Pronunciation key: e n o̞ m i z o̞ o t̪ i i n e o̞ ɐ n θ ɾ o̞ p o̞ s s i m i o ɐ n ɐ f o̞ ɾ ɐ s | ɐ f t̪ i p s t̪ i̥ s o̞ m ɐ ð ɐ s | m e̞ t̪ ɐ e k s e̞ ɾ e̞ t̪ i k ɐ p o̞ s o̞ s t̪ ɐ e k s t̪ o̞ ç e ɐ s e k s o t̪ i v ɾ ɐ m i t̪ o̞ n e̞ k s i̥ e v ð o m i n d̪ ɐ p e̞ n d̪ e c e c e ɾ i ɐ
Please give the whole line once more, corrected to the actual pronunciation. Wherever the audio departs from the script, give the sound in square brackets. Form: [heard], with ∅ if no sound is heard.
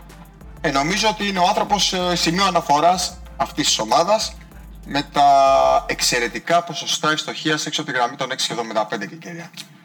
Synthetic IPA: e n o̞ m i z o̞ o t̪ i i n e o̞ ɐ n θ ɾ o̞ p o̞ s s i m i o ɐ n ɐ f o̞ ɾ ɐ s | ɐ f t̪ i [∅] s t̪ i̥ s o̞ m ɐ ð ɐ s | m e̞ t̪ ɐ e k s e̞ ɾ e̞ t̪ i k ɐ p o̞ s o̞ s t̪ ɐ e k s t̪ o̞ ç [i] ɐ s e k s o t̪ i [ɣ] ɾ ɐ m i t̪ o̞ n e̞ k s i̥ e v ð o m i n d̪ ɐ p e̞ n d̪ e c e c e ɾ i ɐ